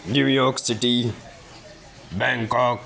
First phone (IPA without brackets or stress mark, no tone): n